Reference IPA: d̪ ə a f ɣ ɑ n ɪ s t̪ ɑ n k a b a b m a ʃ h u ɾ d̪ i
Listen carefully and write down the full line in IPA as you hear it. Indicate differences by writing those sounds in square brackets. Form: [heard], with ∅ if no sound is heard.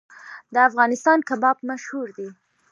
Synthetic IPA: d̪ ə a f ɣ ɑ n ɪ s t̪ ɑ n k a b [ɑ] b m a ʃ h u ɾ d̪ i